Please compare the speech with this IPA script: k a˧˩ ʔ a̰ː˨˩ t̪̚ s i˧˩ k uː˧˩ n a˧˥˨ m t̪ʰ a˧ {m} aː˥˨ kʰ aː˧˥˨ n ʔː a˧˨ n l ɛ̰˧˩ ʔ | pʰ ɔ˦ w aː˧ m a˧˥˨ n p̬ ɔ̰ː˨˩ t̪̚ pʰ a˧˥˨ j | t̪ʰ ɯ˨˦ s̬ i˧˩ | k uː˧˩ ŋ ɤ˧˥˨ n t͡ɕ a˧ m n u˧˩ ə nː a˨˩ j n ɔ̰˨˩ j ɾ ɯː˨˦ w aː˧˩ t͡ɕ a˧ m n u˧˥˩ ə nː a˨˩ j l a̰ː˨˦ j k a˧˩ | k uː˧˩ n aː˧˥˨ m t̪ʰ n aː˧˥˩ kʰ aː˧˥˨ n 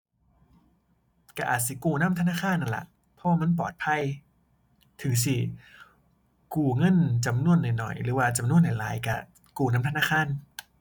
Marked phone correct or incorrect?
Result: incorrect